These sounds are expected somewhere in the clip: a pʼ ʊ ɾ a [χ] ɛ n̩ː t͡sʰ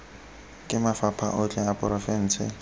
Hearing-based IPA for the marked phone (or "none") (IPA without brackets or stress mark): f